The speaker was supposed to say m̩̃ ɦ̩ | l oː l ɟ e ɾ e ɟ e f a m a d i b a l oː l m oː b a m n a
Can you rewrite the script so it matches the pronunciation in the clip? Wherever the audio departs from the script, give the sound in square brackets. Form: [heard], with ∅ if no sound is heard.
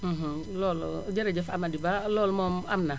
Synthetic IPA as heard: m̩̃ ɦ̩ | l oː l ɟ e ɾ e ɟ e f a m a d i b a l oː l m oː [m] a m n a